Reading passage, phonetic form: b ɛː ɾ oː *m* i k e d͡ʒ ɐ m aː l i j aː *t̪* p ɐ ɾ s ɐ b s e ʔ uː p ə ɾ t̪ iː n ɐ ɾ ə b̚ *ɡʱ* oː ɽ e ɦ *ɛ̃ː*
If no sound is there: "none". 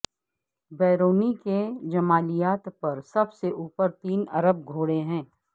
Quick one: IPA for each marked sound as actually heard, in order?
n, t̪, ɡʱ, ɛ̃ː

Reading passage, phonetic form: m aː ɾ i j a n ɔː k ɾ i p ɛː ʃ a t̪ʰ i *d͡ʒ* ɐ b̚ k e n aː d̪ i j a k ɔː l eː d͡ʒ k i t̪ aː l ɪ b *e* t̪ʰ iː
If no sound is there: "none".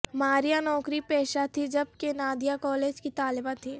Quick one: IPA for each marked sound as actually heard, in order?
d͡ʒ, a

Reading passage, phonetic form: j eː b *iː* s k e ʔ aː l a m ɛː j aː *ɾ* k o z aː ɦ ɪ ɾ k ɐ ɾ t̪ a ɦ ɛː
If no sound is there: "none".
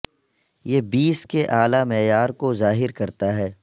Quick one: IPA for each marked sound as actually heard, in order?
iː, ɾ

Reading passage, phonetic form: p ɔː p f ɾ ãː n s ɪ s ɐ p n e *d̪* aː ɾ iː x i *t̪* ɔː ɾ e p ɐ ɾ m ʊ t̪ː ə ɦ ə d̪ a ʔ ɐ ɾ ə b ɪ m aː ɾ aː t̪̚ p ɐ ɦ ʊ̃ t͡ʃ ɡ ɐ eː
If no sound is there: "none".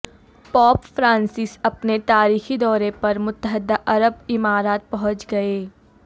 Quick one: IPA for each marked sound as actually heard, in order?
t̪, d̪

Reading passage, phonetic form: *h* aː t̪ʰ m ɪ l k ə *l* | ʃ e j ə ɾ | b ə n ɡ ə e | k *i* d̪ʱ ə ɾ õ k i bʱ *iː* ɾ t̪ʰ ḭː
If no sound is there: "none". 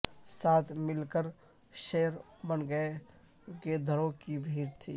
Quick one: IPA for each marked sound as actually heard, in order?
s, ɾ, e, iː

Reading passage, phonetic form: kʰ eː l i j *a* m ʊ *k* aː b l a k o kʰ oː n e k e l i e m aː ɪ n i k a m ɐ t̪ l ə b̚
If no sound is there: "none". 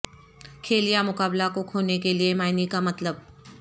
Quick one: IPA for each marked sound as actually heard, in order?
a, k

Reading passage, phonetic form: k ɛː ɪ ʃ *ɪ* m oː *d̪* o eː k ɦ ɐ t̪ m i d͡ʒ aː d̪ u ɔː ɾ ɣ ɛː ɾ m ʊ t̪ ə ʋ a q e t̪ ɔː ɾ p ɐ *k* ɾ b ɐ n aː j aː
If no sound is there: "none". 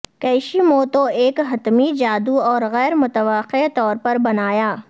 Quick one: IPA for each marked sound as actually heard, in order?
i, t̪, none

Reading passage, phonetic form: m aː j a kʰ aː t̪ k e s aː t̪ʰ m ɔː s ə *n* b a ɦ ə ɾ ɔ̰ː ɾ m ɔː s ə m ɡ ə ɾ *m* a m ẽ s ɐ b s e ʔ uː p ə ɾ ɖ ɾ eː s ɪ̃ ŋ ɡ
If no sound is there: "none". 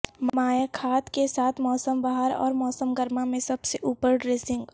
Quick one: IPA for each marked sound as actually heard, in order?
m, m

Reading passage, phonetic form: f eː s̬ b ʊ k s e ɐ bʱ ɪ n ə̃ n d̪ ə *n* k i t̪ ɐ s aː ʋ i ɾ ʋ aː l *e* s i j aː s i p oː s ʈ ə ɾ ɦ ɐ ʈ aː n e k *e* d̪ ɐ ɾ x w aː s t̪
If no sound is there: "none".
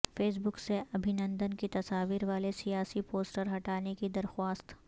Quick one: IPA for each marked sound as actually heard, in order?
n, e, i

